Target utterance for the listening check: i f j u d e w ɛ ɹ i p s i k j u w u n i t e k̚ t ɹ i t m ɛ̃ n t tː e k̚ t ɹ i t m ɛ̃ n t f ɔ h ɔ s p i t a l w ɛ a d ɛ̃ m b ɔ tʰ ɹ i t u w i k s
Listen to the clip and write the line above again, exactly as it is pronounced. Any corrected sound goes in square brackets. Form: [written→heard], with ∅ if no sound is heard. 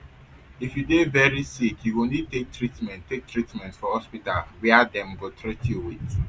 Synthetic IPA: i f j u d e [w→v] ɛ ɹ i [p→∅] s i k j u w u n i t e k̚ t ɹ i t m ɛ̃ n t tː e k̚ t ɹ i t m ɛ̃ n t f ɔ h ɔ s p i t a l w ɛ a d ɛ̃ m b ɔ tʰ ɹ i t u w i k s